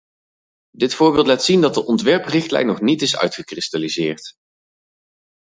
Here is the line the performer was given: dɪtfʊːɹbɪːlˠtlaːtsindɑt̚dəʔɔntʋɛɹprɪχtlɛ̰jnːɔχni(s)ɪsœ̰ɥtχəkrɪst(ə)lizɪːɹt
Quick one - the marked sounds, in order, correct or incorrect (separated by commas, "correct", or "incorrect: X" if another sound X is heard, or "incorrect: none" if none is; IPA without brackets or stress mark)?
incorrect: t, incorrect: a